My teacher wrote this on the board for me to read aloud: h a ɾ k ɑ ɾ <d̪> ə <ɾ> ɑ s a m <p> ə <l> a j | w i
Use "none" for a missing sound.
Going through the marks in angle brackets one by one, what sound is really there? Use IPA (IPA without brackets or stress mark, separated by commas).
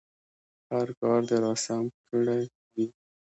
d̪, ɾ, k, ɽ